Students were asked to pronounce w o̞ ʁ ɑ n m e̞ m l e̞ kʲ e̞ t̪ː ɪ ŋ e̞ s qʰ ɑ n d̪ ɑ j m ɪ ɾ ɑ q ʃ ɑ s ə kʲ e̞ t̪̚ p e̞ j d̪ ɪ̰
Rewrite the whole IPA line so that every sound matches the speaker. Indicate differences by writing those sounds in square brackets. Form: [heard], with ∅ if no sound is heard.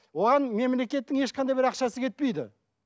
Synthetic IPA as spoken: w o̞ ʁ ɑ n m e̞ m l e̞ kʲ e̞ t̪ː ɪ ŋ e̞ [ʃ] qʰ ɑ n d̪ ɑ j [b] ɪ ɾ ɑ q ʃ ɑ s ə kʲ e̞ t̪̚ p e̞ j d̪ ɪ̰